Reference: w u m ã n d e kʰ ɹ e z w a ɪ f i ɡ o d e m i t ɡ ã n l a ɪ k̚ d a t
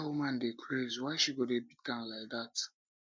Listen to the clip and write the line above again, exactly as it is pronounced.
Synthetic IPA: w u m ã n d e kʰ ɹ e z w a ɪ ʃ i ɡ o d e b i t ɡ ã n l a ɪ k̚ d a t